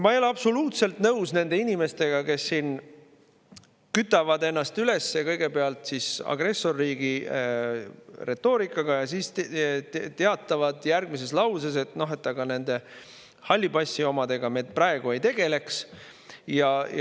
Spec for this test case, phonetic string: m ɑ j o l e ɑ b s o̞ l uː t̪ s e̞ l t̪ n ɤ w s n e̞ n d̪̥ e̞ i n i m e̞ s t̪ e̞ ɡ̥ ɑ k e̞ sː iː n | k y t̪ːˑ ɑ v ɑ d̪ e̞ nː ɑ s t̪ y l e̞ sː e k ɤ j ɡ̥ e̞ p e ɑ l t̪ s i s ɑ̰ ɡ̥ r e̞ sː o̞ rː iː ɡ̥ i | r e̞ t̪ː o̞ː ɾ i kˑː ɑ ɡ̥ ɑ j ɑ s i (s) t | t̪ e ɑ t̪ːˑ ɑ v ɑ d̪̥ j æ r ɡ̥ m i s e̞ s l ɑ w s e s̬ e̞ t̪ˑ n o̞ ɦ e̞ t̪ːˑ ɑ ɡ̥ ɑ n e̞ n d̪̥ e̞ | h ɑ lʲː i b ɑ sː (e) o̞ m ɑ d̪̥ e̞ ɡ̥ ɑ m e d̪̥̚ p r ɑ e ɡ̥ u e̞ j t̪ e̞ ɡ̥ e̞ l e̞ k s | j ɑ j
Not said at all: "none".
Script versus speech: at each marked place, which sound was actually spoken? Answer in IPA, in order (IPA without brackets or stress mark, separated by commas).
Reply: s, i